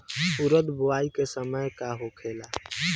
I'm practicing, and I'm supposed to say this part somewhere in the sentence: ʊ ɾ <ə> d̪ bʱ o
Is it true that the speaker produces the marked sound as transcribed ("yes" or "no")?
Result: yes